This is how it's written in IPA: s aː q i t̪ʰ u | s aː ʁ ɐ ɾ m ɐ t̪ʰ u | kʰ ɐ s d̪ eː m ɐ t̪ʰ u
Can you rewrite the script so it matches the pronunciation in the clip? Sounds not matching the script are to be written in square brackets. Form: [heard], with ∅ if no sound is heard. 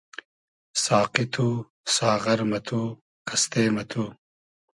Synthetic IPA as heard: s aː q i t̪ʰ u | s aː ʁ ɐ ɾ m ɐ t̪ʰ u | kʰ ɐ s [t̪] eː m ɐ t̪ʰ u